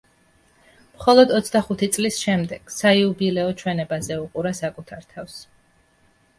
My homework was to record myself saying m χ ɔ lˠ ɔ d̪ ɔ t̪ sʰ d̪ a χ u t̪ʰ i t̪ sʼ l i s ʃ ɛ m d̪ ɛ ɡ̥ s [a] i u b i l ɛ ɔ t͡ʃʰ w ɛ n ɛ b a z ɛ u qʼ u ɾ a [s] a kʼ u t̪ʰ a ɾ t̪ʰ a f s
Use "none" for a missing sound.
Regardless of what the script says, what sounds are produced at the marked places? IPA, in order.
a, s

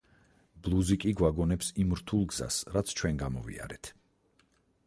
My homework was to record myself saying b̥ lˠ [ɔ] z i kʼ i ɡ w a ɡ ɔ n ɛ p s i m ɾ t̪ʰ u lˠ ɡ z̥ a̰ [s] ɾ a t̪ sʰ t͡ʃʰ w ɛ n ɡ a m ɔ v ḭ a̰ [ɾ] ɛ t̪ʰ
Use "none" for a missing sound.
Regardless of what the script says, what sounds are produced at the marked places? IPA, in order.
u, s, ɾ

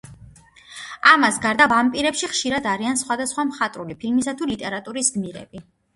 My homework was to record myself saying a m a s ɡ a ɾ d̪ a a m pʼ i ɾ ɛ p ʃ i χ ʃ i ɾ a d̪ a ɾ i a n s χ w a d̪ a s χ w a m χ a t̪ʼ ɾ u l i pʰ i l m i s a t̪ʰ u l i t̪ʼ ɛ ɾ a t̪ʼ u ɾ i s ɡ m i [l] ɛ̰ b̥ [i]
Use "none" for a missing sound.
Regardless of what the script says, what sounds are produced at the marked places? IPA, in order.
ɾ, i

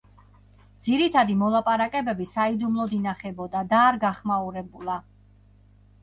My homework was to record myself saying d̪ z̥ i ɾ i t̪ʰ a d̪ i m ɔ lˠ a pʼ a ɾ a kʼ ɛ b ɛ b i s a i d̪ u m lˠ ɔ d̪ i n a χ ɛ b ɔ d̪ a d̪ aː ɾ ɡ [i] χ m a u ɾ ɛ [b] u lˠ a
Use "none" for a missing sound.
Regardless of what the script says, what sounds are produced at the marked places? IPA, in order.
a, b

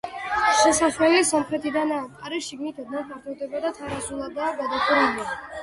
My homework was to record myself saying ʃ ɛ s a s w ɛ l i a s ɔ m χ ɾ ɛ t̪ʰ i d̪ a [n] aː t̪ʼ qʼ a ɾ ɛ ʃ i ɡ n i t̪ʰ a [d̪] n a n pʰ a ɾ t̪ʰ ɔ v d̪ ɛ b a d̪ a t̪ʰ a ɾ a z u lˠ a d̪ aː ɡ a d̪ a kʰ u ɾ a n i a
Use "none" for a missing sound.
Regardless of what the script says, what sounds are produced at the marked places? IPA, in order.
n, d̪

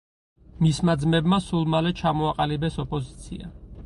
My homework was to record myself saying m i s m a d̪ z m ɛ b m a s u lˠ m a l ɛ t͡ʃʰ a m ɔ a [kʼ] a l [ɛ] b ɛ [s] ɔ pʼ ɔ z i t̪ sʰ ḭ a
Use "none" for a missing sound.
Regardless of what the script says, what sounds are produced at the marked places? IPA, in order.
qʼ, i, s

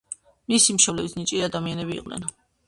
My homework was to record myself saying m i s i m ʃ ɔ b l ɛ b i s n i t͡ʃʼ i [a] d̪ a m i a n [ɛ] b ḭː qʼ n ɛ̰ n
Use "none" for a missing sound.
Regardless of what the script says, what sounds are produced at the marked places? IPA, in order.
a, ɛ

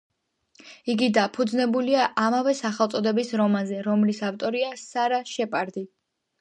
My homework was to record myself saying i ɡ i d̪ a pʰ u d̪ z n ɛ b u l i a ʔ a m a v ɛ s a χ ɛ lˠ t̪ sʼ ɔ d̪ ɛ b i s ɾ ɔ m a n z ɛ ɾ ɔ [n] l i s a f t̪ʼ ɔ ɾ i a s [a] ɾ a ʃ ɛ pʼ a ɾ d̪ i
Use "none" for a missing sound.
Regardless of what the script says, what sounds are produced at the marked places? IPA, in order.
m, a

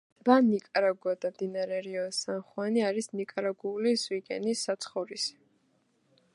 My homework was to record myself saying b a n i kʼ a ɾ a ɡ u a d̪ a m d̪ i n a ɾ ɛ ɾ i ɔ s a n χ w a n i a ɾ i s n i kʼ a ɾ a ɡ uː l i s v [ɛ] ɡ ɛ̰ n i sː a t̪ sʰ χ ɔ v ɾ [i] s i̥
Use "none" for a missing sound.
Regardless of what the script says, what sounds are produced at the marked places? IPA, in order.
i, i

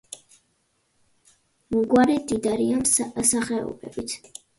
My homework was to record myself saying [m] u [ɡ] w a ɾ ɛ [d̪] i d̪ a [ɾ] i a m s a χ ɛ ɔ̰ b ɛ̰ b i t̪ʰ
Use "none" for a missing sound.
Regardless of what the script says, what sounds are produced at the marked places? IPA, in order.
m, ɡ, d̪, ɾ

